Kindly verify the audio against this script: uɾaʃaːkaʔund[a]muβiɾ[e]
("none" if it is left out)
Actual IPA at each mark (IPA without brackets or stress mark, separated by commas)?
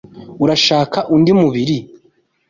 i, i